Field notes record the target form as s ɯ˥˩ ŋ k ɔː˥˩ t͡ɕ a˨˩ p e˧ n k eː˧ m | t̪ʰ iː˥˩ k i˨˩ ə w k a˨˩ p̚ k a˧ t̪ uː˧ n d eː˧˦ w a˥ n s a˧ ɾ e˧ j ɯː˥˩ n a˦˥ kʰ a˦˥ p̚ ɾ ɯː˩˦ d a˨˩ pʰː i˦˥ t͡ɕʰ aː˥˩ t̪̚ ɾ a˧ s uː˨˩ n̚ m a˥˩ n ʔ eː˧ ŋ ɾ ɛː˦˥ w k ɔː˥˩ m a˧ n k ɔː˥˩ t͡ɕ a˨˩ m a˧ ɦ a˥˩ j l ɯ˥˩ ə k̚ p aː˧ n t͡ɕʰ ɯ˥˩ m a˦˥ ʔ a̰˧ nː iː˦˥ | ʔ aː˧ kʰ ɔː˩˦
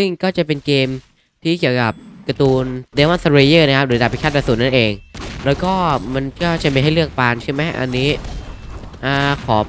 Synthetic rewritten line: s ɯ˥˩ ŋ k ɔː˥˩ t͡ɕ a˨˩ p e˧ n k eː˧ m | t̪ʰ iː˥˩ k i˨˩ ə w k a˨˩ p̚ k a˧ t̪ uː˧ n d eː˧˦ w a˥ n s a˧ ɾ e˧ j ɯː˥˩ n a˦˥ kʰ a˦˥ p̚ ɾ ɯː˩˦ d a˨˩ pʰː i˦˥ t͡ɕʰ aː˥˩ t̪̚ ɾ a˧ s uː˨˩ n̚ n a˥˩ n ʔ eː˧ ŋ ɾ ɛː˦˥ w k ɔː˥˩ m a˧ n k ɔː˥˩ t͡ɕ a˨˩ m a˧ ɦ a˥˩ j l ɯ˥˩ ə k̚ p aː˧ n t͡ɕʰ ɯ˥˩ m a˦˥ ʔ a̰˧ nː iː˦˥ | ʔ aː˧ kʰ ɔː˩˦

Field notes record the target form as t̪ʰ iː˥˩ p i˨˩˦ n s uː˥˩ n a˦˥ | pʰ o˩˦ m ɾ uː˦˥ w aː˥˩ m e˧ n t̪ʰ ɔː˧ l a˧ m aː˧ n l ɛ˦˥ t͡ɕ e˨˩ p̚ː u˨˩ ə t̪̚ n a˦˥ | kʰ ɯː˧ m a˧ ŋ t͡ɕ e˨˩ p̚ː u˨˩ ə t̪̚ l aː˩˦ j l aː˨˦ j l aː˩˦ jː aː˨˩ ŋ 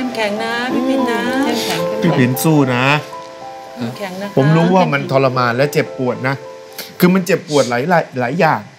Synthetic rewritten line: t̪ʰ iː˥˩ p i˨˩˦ n s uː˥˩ n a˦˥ | pʰ o˩˦ m ɾ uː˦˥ w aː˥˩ m a˧ n t̪ʰ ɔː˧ l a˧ m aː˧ n l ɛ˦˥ t͡ɕ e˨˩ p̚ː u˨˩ ə t̪̚ n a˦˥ | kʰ ɯː˧ m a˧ n t͡ɕ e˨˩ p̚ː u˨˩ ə t̪̚ l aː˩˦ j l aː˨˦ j l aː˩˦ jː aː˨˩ ŋ

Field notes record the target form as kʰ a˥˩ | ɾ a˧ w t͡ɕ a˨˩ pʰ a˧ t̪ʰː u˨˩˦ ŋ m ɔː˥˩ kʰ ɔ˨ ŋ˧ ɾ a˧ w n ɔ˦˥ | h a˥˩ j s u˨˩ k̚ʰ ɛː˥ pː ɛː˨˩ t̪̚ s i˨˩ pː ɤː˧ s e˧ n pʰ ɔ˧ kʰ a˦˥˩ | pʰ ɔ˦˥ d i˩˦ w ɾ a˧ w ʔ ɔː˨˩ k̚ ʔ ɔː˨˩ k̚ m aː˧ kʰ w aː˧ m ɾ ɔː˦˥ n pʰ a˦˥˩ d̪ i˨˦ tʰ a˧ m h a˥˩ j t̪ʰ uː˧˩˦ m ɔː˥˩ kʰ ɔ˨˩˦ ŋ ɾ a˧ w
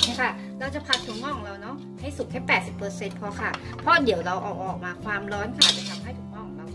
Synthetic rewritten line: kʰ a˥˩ | ɾ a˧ w t͡ɕ a˨˩ pʰ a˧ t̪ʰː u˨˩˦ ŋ m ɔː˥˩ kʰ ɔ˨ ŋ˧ ɾ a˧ w n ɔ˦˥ | h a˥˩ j s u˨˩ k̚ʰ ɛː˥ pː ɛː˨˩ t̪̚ s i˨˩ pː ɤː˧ s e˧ n pʰ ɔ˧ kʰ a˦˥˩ | pʰ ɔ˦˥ d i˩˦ w ɾ a˧ w ʔ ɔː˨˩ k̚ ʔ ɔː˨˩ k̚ m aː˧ kʰ w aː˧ m ɾ ɔː˦˥ n kʰ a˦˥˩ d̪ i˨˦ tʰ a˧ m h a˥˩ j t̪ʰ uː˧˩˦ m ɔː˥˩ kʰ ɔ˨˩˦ ŋ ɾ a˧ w

